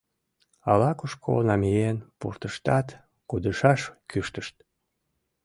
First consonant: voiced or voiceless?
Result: voiced